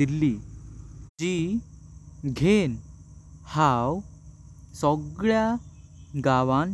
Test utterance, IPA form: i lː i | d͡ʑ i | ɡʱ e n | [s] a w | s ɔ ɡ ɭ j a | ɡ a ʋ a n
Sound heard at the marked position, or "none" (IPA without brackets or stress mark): h